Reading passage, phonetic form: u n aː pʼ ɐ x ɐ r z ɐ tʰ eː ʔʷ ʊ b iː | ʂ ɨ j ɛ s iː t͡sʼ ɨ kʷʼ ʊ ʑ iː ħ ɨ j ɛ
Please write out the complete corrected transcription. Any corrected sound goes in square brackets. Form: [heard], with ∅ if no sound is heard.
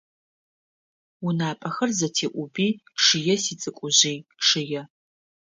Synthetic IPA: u n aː pʼ ɐ x ɐ r z ɐ tʰ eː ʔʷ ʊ b iː | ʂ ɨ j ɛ s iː t͡sʼ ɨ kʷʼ ʊ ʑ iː [ʂ] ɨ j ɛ